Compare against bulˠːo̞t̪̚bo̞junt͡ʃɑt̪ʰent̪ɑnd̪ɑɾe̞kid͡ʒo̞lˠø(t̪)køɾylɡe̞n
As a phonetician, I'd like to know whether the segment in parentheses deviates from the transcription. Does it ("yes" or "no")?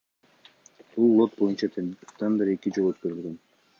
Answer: no